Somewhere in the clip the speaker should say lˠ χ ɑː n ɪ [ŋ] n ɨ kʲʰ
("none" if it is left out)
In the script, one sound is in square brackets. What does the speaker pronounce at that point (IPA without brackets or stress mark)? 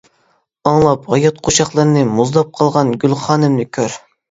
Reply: m